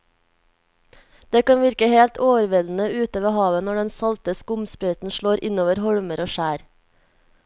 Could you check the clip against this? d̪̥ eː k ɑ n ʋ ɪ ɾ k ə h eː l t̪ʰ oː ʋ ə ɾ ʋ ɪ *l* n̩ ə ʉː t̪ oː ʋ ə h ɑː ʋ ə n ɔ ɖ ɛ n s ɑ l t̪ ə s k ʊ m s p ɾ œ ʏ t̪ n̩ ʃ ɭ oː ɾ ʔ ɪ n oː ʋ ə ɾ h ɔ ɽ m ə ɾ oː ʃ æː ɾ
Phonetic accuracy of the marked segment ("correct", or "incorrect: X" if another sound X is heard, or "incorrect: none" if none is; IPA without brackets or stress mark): correct